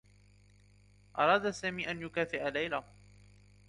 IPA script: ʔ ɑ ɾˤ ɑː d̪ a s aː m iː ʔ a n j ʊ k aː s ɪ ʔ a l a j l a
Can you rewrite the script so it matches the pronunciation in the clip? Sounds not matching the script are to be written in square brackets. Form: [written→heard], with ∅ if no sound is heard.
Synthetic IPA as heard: ʔ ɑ ɾˤ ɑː d̪ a s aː m iː ʔ a n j ʊ k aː [s→f] ɪ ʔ a l a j l a